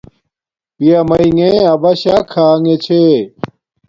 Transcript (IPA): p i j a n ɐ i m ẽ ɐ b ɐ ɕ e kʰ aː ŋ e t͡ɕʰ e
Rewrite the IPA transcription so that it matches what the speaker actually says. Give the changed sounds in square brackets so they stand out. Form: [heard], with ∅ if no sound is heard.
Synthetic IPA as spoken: p i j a [m] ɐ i [ŋ] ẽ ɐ b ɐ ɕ [a] kʰ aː ŋ e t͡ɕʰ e